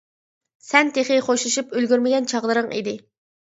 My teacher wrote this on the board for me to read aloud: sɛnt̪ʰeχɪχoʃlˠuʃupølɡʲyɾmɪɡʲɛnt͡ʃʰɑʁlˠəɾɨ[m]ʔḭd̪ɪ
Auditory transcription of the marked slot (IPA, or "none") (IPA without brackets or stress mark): ŋ